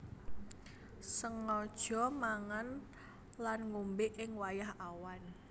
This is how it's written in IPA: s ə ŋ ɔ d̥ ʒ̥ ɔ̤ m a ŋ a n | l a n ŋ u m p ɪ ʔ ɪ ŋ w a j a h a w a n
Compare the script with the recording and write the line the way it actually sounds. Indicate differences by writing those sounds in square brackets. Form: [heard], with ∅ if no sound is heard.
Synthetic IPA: s ə ŋ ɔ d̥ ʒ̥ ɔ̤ m a ŋ a n | l a n ŋ u m [b] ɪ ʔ ɪ ŋ w a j a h a w a n